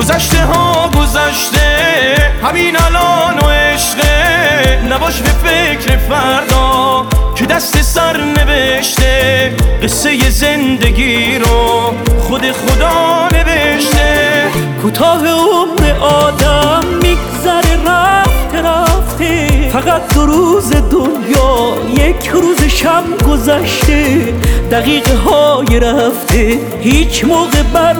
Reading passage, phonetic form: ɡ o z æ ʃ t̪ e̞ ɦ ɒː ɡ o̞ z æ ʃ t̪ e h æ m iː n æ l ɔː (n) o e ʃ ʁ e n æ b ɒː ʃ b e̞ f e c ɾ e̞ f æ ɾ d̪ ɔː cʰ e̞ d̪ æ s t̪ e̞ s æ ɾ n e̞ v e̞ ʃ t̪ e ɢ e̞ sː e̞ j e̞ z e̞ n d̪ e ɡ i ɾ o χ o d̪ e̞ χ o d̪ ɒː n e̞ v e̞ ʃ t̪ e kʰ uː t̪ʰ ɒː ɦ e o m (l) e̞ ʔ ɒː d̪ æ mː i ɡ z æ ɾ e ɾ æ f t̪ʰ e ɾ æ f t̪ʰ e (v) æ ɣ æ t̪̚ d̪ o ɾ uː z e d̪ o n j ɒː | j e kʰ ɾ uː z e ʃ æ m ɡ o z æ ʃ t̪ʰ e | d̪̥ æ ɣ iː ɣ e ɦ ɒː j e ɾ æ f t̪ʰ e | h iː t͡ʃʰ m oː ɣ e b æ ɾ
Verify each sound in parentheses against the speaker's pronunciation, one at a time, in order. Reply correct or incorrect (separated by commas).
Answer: correct, incorrect, incorrect